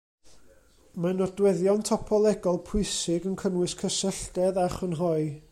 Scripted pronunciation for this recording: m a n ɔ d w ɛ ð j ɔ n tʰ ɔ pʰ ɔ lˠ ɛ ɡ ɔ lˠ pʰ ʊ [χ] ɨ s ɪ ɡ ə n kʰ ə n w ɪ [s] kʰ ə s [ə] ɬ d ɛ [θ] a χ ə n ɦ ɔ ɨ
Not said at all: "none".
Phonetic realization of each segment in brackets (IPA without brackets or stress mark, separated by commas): none, s, ə, ð